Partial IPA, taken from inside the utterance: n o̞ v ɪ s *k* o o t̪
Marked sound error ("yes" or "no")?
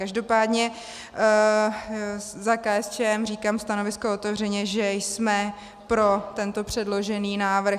no